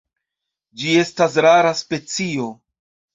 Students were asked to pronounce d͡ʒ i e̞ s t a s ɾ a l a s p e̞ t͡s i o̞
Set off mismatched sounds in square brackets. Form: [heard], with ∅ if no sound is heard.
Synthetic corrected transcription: d͡ʒ i e̞ s t a s ɾ a [ɾ] a s p e̞ t͡s i o̞